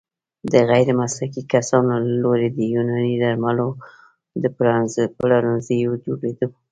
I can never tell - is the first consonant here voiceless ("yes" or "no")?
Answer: no